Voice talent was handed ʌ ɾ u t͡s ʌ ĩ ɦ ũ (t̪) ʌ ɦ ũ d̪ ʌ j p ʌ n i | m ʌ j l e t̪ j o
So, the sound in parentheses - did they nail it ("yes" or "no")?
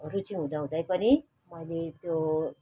no